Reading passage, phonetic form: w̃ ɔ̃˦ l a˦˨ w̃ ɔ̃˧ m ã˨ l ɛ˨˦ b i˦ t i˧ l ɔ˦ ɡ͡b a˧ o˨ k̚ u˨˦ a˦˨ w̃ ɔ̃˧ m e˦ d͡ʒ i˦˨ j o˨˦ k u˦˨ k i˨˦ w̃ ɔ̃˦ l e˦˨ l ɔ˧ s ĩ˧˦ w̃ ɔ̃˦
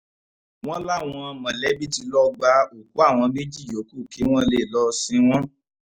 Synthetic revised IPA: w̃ ɔ̃˦ l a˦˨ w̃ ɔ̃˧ m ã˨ l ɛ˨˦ b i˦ t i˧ l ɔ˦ ɡ͡b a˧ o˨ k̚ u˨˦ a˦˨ w̃ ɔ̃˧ m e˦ d͡ʒ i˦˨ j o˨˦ k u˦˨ k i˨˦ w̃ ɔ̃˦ l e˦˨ l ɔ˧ s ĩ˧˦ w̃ ɔ̃˦